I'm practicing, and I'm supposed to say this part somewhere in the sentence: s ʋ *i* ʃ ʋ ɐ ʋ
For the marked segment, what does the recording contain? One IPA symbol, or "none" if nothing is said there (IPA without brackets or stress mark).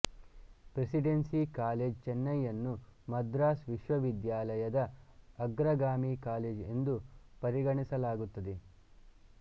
i